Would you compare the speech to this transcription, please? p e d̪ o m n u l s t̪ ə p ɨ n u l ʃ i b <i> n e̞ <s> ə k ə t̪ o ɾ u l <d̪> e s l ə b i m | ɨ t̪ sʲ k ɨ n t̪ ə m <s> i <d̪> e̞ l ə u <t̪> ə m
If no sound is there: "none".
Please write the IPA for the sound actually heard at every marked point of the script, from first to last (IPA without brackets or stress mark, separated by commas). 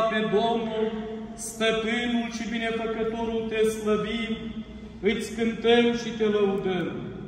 i, f, t̪, ʃ, t̪, d̪